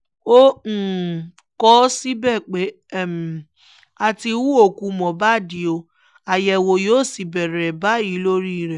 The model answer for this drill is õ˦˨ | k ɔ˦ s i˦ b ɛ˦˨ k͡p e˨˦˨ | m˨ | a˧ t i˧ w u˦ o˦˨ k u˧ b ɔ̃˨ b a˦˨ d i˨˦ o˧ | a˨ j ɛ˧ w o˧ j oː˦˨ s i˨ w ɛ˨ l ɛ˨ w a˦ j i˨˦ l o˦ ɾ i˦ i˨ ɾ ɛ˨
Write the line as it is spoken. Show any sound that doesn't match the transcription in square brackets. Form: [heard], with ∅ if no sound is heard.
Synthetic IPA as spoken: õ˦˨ | k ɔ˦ s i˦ b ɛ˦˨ k͡p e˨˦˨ | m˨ | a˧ t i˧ w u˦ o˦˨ k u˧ [m] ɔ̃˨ b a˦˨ d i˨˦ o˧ | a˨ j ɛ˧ w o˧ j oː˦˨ s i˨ [b] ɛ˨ [ɾ] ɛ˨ [b] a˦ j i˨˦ l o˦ ɾ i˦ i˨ ɾ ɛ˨